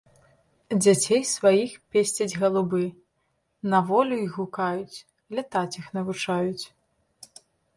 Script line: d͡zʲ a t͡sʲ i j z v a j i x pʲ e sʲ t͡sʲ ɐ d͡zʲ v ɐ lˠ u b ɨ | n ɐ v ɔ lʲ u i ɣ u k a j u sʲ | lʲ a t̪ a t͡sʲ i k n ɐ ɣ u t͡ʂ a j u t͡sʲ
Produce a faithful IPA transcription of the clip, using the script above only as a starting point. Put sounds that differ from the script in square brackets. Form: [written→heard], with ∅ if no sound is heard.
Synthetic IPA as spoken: d͡zʲ a t͡sʲ [i→e] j [z→s] v a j i x pʲ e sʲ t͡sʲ ɐ d͡zʲ [v→ɣ] ɐ lˠ u b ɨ | n ɐ v ɔ lʲ u i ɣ u k a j u [sʲ→t͡sʲ] | lʲ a t̪ a t͡sʲ i [k→x] n ɐ [ɣ→v] u t͡ʂ a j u t͡sʲ